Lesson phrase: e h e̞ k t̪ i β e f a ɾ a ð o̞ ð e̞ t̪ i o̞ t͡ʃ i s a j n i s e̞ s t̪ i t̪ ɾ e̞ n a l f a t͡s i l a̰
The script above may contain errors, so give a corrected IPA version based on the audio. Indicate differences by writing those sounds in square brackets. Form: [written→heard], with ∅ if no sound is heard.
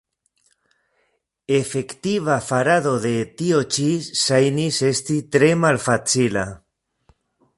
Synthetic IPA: e [h→f] e̞ k t̪ i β [e→a] f a ɾ a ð o̞ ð e̞ t̪ i o̞ t͡ʃ i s a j n i s e̞ s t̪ i t̪ ɾ e̞ [n→m] a l f a t͡s i l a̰